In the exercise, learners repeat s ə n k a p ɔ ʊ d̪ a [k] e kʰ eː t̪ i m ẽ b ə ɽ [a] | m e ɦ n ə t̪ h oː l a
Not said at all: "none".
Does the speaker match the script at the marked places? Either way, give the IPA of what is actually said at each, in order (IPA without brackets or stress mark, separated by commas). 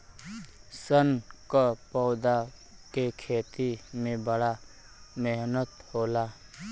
k, a